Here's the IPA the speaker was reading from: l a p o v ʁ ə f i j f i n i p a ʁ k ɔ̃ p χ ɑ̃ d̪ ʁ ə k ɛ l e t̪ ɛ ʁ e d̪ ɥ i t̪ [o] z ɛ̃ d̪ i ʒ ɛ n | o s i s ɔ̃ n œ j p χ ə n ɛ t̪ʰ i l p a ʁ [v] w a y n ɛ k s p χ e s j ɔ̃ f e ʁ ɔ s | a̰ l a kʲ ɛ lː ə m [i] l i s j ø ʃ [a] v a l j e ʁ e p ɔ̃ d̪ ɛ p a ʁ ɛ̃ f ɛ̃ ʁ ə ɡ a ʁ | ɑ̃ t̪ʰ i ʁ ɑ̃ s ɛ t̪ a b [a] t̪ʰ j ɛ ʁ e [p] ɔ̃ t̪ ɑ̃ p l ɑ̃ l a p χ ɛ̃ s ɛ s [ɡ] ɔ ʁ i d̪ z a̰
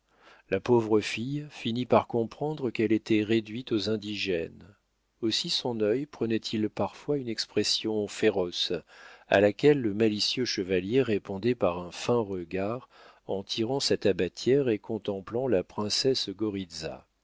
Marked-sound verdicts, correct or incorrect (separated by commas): correct, incorrect, incorrect, incorrect, correct, incorrect, correct